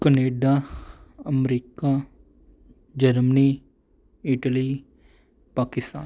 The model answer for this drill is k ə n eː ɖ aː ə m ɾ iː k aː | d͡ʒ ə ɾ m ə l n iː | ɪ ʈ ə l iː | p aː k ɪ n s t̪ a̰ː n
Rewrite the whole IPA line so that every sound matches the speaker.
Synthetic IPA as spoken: k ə n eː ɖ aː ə m ɾ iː k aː | d͡ʒ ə ɾ m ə n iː | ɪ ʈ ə l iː | p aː k ɪ s t̪ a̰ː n